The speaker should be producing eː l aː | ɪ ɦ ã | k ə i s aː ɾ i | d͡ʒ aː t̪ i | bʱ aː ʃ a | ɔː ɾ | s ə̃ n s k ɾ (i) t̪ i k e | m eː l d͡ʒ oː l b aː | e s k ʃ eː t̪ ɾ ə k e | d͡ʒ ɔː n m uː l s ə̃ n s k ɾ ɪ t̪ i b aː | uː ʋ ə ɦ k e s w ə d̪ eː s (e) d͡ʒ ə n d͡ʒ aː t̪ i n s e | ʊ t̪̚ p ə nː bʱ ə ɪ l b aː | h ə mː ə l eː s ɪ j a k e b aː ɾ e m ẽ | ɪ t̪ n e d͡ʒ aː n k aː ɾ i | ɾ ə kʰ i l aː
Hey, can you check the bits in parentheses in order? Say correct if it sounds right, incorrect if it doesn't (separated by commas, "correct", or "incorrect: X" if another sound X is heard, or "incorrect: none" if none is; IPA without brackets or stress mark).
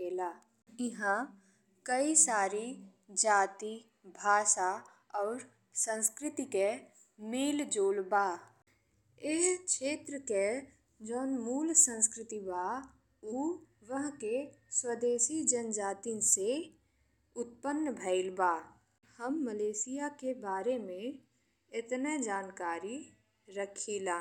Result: incorrect: ɪ, incorrect: i